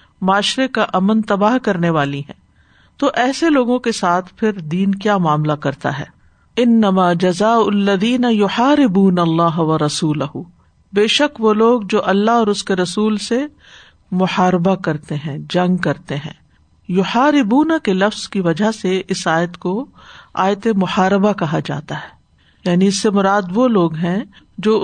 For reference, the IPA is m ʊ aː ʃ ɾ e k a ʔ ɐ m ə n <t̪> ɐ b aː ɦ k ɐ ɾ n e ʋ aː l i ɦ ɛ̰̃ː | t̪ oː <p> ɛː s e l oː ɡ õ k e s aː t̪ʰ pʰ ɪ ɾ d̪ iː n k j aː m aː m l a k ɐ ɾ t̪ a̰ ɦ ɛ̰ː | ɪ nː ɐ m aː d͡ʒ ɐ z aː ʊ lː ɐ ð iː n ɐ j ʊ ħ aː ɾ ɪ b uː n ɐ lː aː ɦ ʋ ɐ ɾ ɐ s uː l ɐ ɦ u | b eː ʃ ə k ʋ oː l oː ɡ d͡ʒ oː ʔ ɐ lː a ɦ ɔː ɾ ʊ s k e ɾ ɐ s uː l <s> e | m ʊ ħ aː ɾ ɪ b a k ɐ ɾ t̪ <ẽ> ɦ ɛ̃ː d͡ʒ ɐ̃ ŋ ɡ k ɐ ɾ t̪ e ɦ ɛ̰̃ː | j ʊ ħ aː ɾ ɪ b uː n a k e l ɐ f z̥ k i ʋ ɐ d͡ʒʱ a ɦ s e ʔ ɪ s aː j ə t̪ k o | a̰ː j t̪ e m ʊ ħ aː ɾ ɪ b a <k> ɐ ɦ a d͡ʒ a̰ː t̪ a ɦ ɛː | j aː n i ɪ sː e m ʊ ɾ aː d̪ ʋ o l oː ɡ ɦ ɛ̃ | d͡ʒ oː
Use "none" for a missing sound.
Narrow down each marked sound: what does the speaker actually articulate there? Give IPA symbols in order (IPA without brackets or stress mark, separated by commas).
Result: t̪, ʔ, s, e, k